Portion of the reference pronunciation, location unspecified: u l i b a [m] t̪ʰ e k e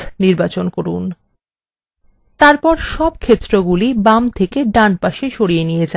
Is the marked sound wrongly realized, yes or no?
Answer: no